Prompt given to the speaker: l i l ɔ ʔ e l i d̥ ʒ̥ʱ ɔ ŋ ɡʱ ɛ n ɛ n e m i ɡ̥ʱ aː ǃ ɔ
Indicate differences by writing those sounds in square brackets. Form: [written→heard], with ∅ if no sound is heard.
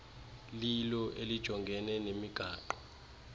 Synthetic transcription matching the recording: l i l ɔ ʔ e l i d̥ ʒ̥ʱ ɔ ŋ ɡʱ ɛ n ɛ n e m i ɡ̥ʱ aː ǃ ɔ